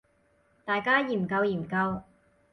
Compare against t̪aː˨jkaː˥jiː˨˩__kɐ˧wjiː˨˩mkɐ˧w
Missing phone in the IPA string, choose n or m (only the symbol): m